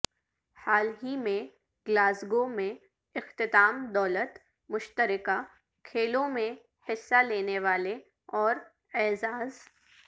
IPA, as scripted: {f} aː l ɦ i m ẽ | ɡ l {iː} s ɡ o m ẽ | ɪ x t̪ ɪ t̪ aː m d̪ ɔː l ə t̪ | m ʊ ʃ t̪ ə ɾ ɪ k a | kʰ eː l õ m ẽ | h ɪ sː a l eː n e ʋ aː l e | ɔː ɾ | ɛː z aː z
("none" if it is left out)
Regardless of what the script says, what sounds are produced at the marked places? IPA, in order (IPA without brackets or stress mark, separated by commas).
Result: h, aː